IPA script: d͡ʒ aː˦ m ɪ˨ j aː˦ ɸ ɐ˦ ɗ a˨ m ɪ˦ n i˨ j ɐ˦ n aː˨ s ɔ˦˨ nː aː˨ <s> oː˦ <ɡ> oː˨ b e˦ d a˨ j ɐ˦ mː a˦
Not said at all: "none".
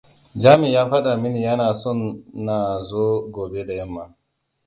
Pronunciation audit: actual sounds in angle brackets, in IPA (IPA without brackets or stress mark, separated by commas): z, ɡ